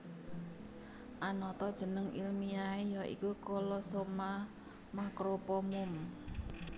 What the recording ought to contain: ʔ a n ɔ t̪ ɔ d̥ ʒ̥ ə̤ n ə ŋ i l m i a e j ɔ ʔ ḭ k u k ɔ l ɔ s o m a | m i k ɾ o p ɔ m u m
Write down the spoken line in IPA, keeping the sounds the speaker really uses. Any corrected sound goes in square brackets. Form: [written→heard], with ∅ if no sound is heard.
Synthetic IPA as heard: ʔ a n ɔ t̪ ɔ d̥ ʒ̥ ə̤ n ə ŋ i l m i a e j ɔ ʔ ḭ k u k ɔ l ɔ s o m a | m [i→a] k ɾ o p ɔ m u m